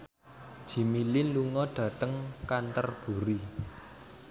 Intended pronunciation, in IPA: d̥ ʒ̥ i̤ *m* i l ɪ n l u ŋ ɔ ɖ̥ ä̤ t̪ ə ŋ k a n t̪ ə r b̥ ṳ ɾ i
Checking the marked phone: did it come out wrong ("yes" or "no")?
no